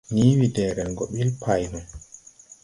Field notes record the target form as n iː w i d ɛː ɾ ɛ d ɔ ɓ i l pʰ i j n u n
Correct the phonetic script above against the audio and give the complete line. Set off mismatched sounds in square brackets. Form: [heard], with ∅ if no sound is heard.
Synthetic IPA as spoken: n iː w i d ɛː ɾ ɛ [ɡ] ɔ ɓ i l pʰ [a] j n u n